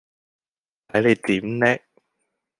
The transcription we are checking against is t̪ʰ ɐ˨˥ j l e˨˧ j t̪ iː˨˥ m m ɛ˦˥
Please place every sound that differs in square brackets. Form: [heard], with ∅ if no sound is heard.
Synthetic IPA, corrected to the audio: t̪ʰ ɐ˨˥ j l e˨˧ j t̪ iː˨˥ m [n] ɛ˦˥